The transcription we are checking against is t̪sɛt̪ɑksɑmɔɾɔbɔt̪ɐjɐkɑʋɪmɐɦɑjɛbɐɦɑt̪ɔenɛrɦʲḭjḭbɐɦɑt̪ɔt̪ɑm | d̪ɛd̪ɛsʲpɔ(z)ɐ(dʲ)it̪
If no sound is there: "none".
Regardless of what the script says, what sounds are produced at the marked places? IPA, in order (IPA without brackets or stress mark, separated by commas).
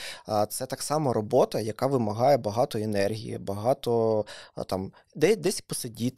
s, dʲ